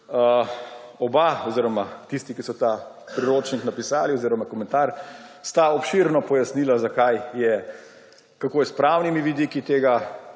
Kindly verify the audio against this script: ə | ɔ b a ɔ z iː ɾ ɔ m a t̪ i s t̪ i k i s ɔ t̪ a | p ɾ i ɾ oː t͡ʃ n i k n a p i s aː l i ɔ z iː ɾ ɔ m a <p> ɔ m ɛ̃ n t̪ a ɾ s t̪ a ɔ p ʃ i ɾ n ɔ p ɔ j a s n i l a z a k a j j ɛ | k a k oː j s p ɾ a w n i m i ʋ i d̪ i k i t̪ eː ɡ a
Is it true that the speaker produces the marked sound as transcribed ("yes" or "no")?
no